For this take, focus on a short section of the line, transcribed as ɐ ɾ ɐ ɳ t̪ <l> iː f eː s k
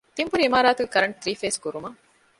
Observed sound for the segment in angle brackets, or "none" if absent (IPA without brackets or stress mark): ɾ